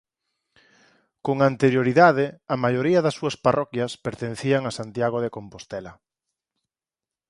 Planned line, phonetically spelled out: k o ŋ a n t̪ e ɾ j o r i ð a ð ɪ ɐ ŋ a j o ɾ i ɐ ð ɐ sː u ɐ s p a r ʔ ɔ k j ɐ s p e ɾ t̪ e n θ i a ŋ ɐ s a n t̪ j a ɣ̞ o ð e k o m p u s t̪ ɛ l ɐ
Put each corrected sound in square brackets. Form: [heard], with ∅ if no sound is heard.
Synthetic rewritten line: k o ŋ a n t̪ e ɾ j o [ɾ] i ð a ð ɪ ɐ [m] a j o ɾ i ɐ ð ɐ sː u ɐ s p a r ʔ ɔ k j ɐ s p e ɾ t̪ e n θ i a ŋ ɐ s a n t̪ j a ɣ̞ o ð e k o m p [o] s t̪ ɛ l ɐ